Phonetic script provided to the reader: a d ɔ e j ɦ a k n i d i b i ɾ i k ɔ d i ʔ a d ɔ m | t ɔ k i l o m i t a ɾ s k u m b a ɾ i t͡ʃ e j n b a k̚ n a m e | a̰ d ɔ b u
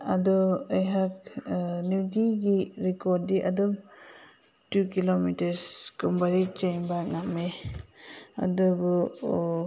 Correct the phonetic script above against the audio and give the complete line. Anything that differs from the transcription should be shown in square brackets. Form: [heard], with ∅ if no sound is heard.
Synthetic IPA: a d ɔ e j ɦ a k n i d i [ɡ] i ɾ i k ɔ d i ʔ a d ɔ m | t [u] k i l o m i t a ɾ s k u m b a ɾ i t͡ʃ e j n b a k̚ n a m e | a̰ d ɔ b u